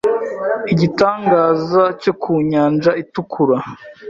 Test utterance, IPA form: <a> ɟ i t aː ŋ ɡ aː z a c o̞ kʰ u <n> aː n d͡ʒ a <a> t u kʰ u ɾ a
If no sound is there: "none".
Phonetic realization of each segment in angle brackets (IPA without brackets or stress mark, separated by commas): i, ɲ, i